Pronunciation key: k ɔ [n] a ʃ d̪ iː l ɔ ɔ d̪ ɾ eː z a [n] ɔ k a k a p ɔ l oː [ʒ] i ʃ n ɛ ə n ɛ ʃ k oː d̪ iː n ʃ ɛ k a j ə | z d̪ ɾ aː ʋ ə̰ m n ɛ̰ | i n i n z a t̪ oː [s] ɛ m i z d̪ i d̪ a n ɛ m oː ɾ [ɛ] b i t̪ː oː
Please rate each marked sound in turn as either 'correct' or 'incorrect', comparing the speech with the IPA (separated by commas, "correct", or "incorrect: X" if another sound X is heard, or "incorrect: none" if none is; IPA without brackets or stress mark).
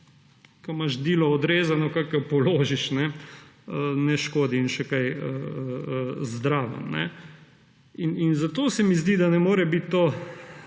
incorrect: m, correct, correct, correct, correct